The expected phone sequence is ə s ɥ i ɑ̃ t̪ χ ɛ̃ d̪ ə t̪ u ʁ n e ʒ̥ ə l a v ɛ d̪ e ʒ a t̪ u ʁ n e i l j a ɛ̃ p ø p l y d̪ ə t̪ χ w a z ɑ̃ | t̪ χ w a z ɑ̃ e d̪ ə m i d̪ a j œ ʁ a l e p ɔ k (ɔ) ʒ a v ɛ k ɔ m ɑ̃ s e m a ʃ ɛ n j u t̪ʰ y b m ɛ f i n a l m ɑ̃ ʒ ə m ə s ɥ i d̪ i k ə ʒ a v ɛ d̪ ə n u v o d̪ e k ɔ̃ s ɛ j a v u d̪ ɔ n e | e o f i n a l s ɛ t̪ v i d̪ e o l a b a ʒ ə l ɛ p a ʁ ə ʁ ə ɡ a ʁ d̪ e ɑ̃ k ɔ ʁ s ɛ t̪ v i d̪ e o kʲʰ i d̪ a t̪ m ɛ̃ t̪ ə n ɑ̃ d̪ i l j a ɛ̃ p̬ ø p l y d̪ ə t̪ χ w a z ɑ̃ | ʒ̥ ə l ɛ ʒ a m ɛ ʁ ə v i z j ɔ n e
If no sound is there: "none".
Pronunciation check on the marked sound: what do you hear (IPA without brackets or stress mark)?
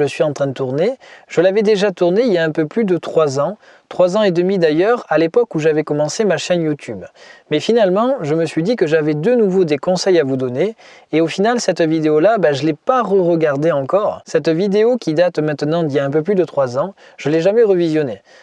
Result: u